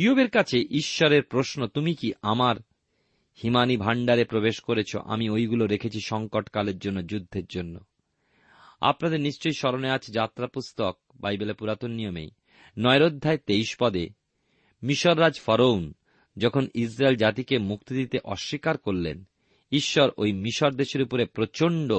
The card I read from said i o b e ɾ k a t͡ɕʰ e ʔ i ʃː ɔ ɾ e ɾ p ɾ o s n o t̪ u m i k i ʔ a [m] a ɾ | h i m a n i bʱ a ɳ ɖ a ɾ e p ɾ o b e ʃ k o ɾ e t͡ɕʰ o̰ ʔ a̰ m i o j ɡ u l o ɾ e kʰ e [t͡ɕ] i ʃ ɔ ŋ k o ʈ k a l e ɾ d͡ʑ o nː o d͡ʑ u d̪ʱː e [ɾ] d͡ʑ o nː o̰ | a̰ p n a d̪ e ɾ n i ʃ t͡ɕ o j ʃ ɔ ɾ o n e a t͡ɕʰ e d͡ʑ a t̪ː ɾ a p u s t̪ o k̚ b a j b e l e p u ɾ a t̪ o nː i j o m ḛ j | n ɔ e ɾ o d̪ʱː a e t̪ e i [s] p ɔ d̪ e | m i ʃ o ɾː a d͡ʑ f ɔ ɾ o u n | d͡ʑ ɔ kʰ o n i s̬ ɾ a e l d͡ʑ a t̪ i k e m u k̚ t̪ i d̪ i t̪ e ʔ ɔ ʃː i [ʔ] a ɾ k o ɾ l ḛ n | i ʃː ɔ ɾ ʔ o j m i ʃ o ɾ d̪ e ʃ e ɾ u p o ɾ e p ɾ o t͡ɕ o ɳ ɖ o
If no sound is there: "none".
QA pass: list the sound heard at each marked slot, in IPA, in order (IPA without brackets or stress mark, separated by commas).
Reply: m, t͡ɕʰ, ɾ, ʃ, k